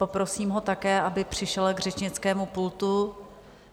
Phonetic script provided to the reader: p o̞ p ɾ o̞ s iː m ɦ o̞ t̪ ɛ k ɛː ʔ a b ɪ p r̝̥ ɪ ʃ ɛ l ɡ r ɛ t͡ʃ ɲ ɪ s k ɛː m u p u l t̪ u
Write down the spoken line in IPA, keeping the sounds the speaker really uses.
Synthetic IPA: p o̞ p ɾ o̞ s iː m ɦ o̞ t̪ a k ɛː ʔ a b ɪ p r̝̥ ɪ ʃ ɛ l ɡ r ɛ t͡ʃ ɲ ɪ t͡s k ɛː m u p u l t̪ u